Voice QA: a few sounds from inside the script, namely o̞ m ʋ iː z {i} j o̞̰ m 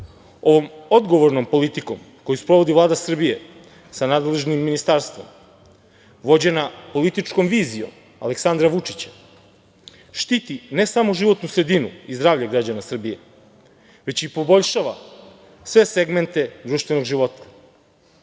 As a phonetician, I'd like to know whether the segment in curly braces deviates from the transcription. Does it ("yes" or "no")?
no